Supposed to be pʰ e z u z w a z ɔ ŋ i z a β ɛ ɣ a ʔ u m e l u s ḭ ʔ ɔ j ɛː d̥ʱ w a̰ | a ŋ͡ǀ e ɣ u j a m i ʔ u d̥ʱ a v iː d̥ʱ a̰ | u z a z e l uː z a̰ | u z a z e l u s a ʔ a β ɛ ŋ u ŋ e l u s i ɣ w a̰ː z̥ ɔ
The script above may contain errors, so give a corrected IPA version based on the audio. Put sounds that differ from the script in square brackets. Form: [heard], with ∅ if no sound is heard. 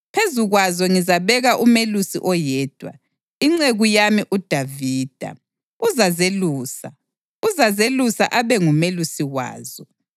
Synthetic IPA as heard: pʰ e z u [ɣ] w a z ɔ ŋ i z a β ɛ ɣ a ʔ u m e l u s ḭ ʔ ɔ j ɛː d̥ʱ w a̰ | [i] ŋ͡ǀ e ɣ u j a m i ʔ u d̥ʱ a v iː d̥ʱ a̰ | u z a z e l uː [s] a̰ | u z a z e l u s a ʔ a β ɛ ŋ u [m] e l u s i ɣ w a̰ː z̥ ɔ